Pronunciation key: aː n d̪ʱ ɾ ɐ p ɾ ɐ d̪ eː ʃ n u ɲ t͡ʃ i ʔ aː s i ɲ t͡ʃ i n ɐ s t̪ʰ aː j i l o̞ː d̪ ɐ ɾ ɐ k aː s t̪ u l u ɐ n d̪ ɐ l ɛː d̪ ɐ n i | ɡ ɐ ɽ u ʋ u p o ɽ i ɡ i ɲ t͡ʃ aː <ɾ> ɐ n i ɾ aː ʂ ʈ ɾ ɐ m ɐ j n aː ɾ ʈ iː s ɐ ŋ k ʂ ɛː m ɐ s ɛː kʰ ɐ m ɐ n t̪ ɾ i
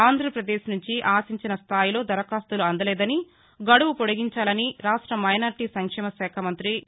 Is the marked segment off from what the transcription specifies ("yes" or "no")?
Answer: yes